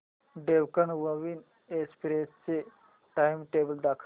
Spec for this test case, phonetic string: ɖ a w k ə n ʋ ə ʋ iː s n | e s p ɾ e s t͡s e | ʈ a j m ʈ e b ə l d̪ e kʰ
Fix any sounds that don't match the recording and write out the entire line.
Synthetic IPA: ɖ e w k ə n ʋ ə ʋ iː n | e s p ɾ e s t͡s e | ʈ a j m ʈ e b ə l d̪ a kʰ